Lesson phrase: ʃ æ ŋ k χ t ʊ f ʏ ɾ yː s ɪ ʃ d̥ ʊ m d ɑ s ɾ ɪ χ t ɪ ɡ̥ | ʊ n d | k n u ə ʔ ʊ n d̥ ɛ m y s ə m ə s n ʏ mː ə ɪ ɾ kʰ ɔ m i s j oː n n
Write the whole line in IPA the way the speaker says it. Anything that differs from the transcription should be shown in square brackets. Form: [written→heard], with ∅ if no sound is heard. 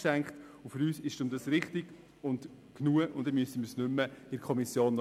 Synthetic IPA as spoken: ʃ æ ŋ k χ t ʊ f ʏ ɾ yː s ɪ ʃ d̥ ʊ m d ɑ s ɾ ɪ χ t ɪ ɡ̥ | ʊ n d | k n u ə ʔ ʊ n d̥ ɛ m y s ə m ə s n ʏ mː ə ɪ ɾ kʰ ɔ m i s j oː n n

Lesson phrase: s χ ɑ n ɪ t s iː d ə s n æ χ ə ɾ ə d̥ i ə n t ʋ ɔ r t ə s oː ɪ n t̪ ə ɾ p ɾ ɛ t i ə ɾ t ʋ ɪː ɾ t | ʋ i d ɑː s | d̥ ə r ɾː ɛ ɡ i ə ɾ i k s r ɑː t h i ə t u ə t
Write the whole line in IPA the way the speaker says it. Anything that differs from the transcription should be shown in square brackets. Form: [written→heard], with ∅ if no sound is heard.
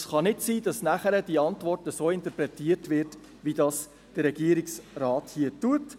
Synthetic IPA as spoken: s χ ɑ n ɪ t s iː d [ə→ɑ] s n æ χ ə ɾ ə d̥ i [ə→ɑ] n t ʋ ɔ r t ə s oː ɪ n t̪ ə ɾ p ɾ ɛ t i ə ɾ t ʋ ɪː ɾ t | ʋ i d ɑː s | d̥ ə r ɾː ɛ ɡ i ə ɾ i k s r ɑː t h i ə t u ə t

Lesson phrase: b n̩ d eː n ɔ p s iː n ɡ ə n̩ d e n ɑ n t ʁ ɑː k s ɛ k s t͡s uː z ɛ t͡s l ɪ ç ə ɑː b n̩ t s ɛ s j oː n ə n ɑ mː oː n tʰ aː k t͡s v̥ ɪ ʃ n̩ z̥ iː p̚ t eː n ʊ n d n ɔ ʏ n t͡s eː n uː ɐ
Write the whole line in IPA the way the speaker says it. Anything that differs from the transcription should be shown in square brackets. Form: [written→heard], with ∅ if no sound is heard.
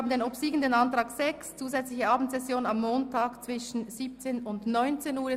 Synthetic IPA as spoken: b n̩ d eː n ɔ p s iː [n→∅] ɡ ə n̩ d e n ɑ n t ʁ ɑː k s ɛ k s t͡s uː z ɛ t͡s l ɪ ç ə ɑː b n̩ t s ɛ s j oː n ə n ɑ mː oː n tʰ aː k t͡s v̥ ɪ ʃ n̩ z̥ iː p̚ [t→t͡s] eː n ʊ n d n ɔ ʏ n t͡s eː n uː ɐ

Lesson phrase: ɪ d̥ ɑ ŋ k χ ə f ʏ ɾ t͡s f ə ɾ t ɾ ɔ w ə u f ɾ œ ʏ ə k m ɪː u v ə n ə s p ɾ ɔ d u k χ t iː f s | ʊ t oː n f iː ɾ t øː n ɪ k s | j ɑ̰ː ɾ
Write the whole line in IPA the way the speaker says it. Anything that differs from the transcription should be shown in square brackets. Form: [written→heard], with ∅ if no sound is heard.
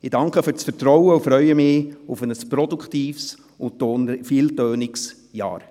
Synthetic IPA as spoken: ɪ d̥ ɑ ŋ k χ ə f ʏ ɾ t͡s f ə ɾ t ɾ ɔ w ə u f ɾ œ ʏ ə [k→∅] m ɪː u [v→f] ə n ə s p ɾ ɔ d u k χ t iː f s | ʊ t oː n f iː [ɾ→l] t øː n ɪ k s | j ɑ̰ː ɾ

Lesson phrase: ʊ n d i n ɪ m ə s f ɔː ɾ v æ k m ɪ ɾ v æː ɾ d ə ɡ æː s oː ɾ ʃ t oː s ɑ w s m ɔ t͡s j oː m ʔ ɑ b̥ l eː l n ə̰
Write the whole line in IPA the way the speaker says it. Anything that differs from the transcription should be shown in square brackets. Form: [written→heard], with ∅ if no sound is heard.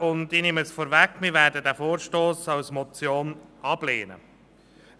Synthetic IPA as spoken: ʊ n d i n ɪ m ə s f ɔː ɾ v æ k m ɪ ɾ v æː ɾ d ə [ɡ→d] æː [s→f] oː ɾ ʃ t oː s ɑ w s m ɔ t͡s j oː [m→n] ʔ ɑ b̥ l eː [l→∅] n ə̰

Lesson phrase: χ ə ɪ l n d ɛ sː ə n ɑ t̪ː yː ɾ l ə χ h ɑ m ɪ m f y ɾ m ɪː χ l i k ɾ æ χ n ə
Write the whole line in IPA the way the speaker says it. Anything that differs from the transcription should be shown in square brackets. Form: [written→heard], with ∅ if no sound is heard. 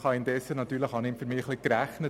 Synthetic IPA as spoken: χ [ə→ɑ] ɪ [l→∅] n d ɛ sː ə n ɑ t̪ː yː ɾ l ə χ h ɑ [m→n] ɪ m f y ɾ m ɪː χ l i k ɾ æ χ n ə

